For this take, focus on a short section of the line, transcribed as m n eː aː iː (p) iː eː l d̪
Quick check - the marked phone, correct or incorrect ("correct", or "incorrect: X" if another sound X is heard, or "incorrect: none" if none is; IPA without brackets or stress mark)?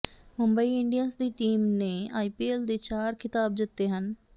correct